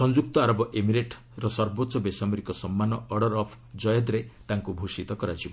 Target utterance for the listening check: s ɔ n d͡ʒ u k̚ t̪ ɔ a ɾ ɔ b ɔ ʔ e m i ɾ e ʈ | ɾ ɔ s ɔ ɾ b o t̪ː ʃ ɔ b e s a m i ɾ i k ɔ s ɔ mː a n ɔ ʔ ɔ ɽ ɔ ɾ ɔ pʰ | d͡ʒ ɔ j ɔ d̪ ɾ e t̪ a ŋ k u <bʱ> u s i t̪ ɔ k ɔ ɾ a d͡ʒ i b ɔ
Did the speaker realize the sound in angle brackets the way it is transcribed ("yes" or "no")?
yes